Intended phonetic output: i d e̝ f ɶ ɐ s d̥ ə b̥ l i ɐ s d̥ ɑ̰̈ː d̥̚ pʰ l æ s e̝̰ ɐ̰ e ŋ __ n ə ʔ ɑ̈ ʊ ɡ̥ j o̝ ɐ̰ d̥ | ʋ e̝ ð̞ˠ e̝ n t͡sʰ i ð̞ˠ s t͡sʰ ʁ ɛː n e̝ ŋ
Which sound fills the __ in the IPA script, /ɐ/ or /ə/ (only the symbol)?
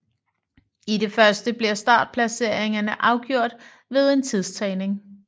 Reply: ɐ